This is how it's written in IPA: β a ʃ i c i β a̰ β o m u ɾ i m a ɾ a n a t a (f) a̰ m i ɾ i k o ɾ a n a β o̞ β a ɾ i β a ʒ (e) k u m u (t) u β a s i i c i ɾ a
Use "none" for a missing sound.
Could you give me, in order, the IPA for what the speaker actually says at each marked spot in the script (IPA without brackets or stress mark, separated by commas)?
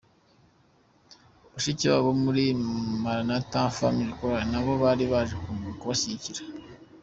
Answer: f, e, k